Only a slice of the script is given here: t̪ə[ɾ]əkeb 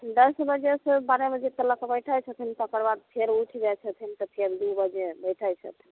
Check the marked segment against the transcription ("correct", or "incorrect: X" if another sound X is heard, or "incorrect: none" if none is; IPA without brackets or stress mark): incorrect: l